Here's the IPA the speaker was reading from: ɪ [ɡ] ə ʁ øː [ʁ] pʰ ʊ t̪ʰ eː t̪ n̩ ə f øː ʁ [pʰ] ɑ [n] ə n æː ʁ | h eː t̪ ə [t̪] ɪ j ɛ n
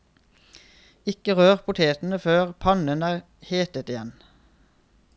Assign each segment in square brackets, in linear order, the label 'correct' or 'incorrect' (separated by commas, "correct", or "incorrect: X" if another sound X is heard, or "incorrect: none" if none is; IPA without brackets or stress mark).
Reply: incorrect: k, correct, correct, correct, correct